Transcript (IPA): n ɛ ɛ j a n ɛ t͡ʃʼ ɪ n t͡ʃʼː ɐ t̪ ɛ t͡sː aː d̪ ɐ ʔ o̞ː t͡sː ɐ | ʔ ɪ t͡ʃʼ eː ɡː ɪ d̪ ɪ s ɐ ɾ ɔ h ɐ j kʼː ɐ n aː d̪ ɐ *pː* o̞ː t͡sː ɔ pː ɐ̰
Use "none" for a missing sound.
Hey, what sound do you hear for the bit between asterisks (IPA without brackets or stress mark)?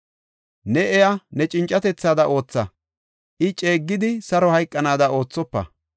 none